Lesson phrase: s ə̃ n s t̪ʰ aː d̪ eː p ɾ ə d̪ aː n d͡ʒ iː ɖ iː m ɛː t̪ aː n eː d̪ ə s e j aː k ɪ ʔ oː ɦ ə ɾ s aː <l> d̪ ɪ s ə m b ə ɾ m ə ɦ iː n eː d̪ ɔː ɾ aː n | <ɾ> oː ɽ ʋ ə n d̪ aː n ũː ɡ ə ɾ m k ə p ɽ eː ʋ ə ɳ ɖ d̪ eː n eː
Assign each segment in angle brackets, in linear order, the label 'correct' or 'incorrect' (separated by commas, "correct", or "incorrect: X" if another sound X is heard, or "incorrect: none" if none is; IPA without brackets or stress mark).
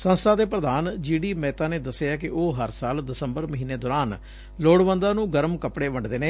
correct, incorrect: l